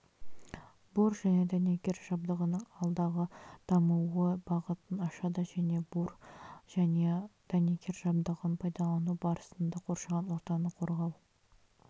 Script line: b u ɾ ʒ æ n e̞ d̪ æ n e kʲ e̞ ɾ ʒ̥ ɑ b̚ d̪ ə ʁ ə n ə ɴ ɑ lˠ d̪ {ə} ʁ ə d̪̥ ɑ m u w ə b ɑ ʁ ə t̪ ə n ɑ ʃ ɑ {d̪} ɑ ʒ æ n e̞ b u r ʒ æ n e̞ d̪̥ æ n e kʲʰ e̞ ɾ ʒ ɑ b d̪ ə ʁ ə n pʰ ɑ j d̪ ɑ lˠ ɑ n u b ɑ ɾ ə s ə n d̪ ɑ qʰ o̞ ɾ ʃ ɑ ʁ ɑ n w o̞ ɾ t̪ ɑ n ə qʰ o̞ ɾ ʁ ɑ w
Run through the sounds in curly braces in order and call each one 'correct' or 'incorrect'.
incorrect, correct

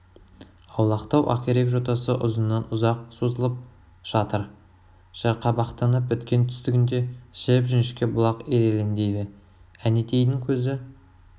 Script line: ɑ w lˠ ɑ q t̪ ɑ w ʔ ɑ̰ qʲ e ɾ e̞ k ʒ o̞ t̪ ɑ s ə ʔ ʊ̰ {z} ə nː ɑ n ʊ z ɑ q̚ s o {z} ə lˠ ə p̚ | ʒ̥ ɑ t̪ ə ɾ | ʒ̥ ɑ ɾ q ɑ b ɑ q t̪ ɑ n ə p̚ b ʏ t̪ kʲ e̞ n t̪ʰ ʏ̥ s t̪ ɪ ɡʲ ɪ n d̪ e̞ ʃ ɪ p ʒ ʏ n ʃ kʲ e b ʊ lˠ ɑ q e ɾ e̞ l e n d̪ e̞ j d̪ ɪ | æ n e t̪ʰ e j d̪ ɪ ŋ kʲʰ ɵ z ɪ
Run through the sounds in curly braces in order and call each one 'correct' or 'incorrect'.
correct, correct

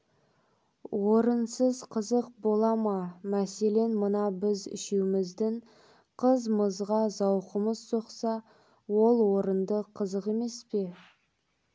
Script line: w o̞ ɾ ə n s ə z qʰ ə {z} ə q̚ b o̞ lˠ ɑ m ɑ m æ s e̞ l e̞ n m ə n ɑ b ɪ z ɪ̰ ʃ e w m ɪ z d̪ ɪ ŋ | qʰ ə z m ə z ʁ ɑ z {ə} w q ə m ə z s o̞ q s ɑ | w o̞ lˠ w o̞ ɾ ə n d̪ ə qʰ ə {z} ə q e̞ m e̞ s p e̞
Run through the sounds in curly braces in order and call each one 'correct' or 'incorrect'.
correct, incorrect, correct

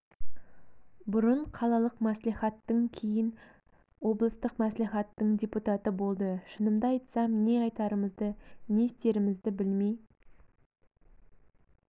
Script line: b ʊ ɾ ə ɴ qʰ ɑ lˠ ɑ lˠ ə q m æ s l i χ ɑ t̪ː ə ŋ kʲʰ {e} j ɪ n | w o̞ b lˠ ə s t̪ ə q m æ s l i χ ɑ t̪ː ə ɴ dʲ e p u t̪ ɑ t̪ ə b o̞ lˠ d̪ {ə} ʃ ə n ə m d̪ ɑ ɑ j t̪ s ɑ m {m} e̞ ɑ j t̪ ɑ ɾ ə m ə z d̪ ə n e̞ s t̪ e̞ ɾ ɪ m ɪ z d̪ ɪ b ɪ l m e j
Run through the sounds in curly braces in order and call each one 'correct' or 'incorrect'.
correct, correct, incorrect

